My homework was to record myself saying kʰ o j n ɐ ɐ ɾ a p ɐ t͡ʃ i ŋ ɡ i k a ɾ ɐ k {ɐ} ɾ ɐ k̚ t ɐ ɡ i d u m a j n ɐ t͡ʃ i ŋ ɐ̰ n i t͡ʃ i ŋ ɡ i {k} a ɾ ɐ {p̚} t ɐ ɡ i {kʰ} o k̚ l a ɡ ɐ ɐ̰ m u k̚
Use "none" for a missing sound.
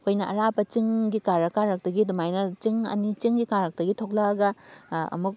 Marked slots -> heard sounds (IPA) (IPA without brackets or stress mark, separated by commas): a, k, k̚, tʰ